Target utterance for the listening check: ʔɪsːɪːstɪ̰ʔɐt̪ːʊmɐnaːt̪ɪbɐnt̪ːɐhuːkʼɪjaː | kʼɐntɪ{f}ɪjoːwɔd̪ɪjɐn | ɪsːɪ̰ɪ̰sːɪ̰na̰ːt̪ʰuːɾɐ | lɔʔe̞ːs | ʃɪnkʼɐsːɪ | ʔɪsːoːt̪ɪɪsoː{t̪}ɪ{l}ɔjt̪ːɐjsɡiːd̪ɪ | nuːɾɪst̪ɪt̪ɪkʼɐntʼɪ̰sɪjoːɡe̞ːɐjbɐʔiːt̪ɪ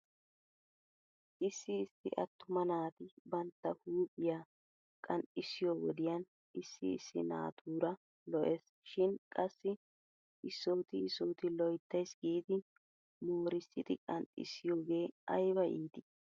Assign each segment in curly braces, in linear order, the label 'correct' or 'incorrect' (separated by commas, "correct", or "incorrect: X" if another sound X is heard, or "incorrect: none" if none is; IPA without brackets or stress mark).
incorrect: s, correct, correct